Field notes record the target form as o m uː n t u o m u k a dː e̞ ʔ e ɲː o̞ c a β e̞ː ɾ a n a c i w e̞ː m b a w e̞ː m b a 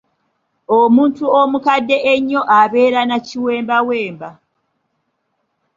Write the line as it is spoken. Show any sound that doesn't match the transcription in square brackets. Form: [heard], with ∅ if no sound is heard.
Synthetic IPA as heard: o m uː n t u o m u k a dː e̞ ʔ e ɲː o̞ [ʔ] a β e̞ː ɾ a n a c i w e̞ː m b a w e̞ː m b a